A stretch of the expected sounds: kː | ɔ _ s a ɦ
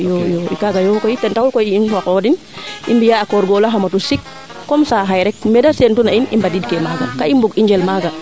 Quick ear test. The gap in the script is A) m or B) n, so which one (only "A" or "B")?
A